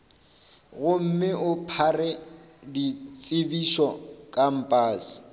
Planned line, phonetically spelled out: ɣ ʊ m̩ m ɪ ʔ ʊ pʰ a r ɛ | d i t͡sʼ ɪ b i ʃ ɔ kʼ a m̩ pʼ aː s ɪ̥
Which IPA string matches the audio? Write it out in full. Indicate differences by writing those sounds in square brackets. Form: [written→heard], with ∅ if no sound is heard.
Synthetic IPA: ɣ ʊ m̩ m ɪ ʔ ʊ pʰ a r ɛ | d i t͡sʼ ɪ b i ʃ ɔ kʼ a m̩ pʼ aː s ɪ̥